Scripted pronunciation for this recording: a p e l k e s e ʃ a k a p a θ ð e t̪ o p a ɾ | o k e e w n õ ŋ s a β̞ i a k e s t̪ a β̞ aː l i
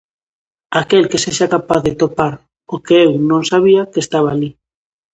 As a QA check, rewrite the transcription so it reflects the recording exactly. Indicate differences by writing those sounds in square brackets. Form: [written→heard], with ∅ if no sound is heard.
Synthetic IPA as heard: a [p→k] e l k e s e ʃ a k a p a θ ð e t̪ o p a ɾ | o k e e w n õ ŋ s a β̞ i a k e s t̪ a β̞ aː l i